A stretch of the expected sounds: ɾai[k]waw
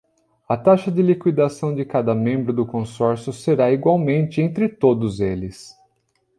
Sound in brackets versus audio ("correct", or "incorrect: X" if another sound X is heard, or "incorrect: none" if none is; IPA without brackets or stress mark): incorrect: ɡ